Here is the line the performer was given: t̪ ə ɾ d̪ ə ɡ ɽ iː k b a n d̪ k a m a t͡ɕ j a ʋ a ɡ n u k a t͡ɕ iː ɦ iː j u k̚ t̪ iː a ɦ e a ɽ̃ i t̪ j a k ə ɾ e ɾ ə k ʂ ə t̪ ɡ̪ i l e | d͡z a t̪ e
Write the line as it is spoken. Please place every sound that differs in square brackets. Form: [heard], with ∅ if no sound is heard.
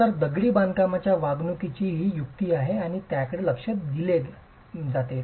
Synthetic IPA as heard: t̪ ə ɾ d̪ ə ɡ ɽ iː [∅] b a n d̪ k a m a t͡ɕ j a ʋ a ɡ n u k [i] t͡ɕ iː ɦ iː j u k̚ t̪ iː a ɦ e a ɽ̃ i t̪ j a k ə [ɽ] e [l] ə k ʂ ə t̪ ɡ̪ i l e | d͡z a t̪ e